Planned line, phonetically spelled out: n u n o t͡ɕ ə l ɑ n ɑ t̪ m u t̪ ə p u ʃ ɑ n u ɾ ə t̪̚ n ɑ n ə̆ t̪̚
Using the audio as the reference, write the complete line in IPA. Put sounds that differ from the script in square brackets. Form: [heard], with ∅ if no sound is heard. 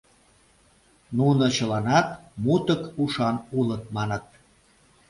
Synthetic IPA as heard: n u n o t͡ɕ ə l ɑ n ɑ t̪ m u t̪ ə [k] u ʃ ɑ n u [l] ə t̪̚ [m] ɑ n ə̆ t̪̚

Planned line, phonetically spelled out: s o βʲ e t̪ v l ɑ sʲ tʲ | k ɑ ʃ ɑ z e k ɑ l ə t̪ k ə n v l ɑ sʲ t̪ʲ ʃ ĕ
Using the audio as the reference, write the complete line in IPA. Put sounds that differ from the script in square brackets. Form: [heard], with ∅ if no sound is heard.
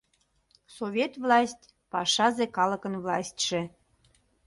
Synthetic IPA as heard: s o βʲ e t̪ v l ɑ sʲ tʲ | [p] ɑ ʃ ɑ z e k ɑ l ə [∅] k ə n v l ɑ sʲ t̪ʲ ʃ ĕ

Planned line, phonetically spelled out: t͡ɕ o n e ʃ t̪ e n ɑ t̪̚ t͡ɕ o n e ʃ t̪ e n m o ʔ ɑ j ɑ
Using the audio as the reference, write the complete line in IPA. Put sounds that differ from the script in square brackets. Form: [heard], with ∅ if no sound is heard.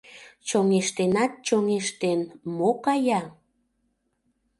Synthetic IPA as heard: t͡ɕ o [ŋ] e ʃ t̪ e n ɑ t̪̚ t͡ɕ o [ŋ] e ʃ t̪ e n m o [k] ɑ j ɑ

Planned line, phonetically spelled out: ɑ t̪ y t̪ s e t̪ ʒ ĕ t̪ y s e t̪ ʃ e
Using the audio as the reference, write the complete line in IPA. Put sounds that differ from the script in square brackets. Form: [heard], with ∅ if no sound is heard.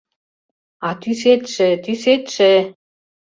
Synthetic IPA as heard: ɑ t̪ y [∅] s e t̪ [ʃ] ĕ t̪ y s e t̪ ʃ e

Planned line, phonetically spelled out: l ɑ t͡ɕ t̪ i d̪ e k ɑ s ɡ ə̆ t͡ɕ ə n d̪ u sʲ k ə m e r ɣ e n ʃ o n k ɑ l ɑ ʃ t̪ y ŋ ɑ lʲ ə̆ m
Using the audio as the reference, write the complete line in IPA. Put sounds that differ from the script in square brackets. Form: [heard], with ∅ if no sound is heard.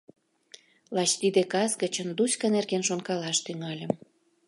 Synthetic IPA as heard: l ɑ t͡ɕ t̪ i d̪ e k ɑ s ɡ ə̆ t͡ɕ ə n d̪ u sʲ k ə [n] e r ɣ e n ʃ o n k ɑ l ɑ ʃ t̪ y ŋ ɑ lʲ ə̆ m

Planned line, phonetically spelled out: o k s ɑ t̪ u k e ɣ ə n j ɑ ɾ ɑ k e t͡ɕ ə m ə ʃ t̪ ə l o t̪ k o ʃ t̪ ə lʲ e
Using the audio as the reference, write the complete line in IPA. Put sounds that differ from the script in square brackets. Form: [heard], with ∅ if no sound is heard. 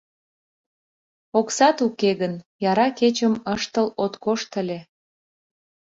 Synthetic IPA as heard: o k s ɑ t̪ u k e ɣ ə n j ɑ ɾ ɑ k e t͡ɕ ə m ə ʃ t̪ ə l o t̪ k o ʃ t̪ ə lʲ e

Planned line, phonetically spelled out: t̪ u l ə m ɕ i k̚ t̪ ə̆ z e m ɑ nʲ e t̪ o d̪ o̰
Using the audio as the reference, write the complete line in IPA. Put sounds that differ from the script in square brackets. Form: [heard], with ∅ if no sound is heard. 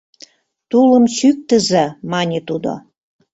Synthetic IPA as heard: t̪ u l ə m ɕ [y] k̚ t̪ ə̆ z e m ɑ nʲ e t̪ [u] d̪ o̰

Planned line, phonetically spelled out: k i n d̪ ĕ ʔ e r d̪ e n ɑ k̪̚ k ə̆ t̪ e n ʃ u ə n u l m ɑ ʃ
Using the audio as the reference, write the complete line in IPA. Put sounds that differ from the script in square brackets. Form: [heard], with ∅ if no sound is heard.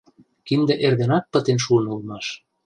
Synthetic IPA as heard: k i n d̪ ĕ ʔ e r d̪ e n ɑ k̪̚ [p] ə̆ t̪ e n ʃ u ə n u l m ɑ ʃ

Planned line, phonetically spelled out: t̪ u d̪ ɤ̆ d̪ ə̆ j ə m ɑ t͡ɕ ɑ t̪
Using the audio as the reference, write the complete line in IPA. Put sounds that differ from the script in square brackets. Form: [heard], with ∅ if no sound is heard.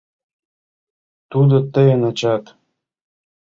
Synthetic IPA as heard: t̪ u d̪ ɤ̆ [t̪] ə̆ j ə [n] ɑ t͡ɕ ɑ t̪

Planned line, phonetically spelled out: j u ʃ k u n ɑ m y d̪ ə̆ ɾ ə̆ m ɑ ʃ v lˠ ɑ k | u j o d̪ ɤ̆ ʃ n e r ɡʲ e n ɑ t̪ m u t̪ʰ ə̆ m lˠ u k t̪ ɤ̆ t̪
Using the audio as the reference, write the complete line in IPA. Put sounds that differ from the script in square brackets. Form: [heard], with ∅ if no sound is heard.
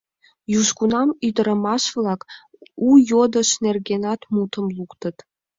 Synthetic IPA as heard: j u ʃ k u n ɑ m y d̪ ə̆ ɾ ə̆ m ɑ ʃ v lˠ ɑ k | u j o d̪ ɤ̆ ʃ n e r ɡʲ e n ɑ t̪ m u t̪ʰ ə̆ m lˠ u k t̪ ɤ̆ t̪

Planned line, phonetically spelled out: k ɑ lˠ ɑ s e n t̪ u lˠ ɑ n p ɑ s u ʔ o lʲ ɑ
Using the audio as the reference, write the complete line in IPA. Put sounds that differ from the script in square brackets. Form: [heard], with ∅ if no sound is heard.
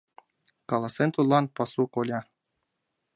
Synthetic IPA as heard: k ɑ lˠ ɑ s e n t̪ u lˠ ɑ n p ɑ s u [k] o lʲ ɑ

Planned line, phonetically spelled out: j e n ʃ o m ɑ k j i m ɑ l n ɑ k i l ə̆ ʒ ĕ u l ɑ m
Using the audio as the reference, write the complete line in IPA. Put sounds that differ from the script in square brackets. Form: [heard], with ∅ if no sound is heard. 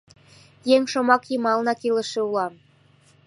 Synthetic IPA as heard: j e [ŋ] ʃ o m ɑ k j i m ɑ l n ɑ k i l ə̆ [ʃ] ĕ u l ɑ m

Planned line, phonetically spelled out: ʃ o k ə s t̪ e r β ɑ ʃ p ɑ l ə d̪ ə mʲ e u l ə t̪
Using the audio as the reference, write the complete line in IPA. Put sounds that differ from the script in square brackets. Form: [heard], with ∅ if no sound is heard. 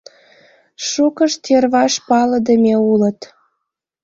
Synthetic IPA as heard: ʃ [u] k ə [ʃ] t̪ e r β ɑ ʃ p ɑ l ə d̪ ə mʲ e u l ə t̪

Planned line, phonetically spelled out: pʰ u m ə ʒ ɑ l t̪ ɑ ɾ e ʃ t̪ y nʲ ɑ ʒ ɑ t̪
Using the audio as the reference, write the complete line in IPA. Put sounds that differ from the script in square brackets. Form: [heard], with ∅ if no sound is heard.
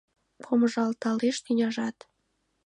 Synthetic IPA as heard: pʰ [o] m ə ʒ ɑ l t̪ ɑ [l] e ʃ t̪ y nʲ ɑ ʒ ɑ t̪

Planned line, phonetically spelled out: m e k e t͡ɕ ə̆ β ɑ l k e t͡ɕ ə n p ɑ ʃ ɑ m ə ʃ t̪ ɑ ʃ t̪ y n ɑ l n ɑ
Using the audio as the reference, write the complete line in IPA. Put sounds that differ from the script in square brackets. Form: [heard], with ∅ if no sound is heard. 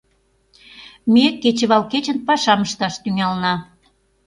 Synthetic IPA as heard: m e k e t͡ɕ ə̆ β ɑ l k e t͡ɕ ə n p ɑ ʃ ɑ m ə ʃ t̪ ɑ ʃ t̪ y [ŋ] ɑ l n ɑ

